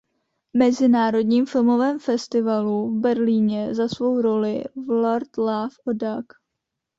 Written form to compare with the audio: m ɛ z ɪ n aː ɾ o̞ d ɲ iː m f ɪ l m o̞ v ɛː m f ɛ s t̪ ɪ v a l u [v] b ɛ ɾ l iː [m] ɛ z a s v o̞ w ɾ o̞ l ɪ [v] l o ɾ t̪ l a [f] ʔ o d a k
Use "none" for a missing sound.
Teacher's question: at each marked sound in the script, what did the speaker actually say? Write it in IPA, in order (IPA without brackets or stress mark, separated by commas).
v, ɲ, v, f